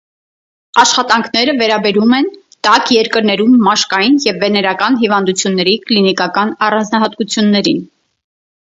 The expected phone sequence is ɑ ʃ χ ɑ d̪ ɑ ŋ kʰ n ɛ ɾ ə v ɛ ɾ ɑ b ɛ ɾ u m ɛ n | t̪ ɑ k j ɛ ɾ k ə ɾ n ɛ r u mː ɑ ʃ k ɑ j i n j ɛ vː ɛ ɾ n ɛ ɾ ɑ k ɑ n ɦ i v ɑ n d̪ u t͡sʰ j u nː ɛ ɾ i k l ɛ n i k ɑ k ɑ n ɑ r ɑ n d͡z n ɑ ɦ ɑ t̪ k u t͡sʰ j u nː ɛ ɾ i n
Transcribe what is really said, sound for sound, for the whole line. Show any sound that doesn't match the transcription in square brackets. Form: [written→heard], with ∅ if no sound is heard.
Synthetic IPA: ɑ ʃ χ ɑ [d̪→t̪] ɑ ŋ kʰ n ɛ ɾ ə v ɛ ɾ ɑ b ɛ ɾ u m ɛ n | t̪ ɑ k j ɛ ɾ k ə ɾ n ɛ [r→ɾ] u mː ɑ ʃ k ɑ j i n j ɛ vː ɛ [ɾ→∅] n ɛ ɾ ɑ k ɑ n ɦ i v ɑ n d̪ u t͡sʰ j u nː ɛ ɾ i k l [ɛ→i] n i k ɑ k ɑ n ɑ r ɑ n d͡z n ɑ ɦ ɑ t̪ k u t͡sʰ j u nː ɛ ɾ i n